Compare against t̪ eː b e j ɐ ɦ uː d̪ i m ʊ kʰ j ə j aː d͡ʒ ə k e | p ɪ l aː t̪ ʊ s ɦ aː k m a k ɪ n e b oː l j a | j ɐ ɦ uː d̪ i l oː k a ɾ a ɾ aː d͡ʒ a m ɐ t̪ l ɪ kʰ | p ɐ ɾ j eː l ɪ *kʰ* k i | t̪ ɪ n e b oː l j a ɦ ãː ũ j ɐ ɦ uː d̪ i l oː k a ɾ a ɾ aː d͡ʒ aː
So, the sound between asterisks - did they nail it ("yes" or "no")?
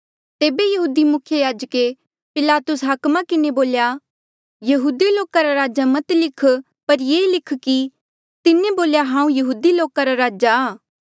yes